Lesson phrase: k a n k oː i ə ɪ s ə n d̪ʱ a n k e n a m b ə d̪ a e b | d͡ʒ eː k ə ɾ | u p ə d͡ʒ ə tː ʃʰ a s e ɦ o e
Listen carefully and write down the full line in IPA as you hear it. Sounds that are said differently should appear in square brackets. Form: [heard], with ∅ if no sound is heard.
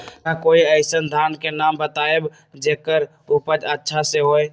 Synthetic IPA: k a [∅] k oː i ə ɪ s ə n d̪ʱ a n k e n a m b ə [t̪] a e b | d͡ʒ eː k ə ɾ | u p ə d͡ʒ ə tː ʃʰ a s e ɦ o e